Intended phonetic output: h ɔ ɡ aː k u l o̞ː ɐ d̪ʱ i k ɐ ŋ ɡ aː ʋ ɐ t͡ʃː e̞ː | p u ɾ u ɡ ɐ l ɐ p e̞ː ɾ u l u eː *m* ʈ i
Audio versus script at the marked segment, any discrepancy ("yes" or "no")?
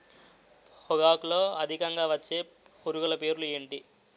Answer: yes